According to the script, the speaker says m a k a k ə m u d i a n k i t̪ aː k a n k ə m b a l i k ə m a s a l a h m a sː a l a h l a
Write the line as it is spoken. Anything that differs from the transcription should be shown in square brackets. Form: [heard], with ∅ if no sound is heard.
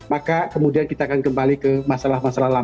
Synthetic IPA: m a k a k ə m u d i a n k i t̪ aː k a n k ə m b a l i k ə m a s a l a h m a [s] a l a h l a